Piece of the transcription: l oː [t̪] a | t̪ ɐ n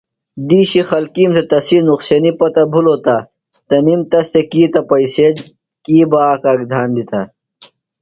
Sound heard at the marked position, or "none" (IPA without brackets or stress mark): t̪